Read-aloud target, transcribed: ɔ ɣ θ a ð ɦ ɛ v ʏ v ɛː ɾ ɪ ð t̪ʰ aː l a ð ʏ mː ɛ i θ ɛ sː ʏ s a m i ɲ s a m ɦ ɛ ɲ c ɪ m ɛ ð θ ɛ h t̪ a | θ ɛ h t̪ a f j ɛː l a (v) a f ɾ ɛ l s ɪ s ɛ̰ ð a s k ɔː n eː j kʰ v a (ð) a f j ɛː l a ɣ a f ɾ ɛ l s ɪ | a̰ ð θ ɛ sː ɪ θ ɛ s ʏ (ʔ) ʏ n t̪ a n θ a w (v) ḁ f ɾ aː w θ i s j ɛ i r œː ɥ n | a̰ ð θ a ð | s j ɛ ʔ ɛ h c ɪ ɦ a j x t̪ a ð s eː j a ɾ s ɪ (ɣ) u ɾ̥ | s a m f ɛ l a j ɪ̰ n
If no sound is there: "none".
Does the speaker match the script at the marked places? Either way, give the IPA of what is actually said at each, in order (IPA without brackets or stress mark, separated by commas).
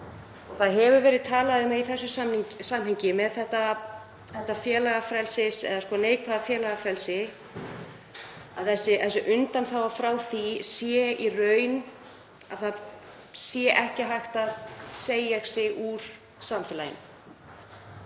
ɣ, ð, ʔ, v, ɣ